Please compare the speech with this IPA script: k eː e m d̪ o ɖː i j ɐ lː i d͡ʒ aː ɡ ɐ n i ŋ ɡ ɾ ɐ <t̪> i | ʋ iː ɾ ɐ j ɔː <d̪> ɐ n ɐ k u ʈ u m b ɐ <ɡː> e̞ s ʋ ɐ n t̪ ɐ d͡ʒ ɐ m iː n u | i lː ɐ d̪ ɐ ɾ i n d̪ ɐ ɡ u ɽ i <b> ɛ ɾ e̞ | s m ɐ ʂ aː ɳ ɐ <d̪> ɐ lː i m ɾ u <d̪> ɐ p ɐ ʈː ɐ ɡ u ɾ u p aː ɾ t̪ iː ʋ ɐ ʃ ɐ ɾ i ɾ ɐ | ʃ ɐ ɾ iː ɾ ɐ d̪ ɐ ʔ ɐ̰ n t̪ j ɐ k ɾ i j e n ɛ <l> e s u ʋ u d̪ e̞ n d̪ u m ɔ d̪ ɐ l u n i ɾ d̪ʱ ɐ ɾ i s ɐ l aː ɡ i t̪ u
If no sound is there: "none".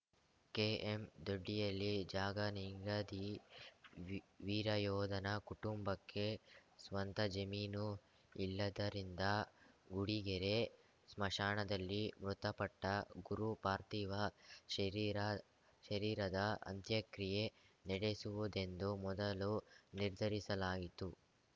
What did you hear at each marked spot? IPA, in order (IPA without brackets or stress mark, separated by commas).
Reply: d̪, d̪, kː, ɡ, d̪, t̪, ɽ